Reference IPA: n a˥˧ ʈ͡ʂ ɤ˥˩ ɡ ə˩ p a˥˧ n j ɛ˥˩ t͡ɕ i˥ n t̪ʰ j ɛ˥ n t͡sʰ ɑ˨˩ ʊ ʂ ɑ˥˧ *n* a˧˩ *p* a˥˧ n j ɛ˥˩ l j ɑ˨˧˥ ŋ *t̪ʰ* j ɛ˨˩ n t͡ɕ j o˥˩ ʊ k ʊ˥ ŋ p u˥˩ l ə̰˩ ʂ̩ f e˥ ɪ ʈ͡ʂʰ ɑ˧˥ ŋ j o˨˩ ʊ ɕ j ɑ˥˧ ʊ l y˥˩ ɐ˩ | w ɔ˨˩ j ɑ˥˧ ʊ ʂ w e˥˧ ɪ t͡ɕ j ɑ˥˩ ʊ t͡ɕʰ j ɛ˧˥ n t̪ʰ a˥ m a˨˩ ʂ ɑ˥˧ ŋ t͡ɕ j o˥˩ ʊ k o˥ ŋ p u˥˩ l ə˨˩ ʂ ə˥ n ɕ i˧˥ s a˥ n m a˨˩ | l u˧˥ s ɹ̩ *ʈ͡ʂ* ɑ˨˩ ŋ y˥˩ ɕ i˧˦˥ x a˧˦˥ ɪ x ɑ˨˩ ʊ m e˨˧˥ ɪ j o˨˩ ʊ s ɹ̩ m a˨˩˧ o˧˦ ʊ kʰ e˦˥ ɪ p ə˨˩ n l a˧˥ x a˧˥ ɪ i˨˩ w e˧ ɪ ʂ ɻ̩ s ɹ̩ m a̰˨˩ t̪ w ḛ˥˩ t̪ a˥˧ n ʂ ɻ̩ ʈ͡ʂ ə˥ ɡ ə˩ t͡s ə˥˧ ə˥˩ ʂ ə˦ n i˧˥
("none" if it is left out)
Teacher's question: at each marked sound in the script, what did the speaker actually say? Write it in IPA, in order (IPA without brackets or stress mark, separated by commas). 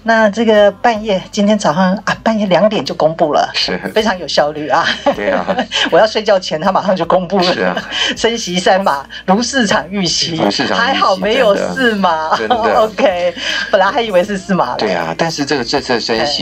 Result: ŋ, p, t̪, ʈ͡ʂʰ